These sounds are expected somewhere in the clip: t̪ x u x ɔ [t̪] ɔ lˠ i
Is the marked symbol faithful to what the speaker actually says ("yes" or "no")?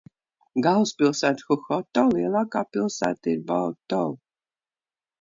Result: yes